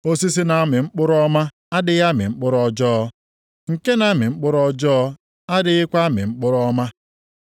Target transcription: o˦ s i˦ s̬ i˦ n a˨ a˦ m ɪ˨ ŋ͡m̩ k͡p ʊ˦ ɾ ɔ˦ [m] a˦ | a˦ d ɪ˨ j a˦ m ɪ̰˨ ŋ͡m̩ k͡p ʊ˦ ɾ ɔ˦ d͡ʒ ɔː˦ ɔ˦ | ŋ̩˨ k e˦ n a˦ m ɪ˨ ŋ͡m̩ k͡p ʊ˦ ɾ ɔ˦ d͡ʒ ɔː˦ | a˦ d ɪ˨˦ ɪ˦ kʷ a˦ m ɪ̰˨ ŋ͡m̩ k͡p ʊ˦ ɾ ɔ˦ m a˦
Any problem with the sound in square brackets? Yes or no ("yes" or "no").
no